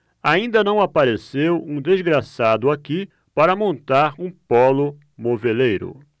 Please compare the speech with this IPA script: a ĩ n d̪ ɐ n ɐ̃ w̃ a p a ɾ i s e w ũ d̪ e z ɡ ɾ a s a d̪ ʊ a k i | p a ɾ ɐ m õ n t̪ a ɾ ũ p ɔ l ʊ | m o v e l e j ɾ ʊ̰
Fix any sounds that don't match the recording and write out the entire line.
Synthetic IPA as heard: a ĩ n d̪ ɐ n ɐ̃ w̃ a p a ɾ e s e w ũ d̪ e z ɡ ɾ a s a d̪ ʊ a k i | p a ɾ ɐ m õ n t̪ a ɾ ũ p ɔ l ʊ | m o v e l e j ɾ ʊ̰